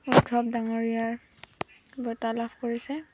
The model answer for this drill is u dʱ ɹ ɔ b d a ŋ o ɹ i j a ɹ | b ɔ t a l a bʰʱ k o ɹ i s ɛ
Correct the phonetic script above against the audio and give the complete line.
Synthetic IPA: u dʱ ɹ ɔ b d a ŋ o ɹ i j a ɹ | b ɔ t a l a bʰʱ k o ɹ i s ɛ